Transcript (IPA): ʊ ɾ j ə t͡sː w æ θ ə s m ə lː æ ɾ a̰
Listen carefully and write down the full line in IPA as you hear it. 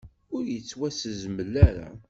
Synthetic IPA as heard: ʊ ɾ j ə t͡sː w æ s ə z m ə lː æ ɾ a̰